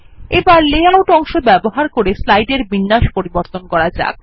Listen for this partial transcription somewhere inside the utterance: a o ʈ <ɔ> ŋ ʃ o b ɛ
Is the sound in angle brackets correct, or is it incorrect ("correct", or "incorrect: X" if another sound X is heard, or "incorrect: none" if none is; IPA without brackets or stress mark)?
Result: correct